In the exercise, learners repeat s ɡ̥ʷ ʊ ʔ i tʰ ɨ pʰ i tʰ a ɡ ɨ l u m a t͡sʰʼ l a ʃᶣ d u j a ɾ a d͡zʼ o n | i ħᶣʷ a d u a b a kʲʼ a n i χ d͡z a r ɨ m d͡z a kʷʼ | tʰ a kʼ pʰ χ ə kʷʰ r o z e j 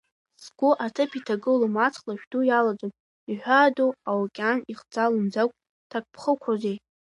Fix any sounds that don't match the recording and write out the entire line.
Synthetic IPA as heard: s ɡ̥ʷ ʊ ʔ a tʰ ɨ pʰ i tʰ a ɡ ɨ l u m a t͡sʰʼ l a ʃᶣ d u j a l a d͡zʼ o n | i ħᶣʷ a d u a w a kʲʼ a n i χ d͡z a l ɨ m d͡z a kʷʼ | tʰ a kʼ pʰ χ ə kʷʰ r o z e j